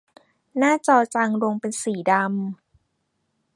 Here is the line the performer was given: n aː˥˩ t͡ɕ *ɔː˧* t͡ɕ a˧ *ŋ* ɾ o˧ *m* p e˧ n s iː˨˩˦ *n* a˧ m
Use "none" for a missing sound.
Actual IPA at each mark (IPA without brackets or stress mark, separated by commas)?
ɔː˧, ŋ, ŋ, d